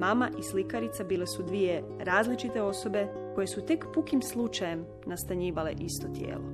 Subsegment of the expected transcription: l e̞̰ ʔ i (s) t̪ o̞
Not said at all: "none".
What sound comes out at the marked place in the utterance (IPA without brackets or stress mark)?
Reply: s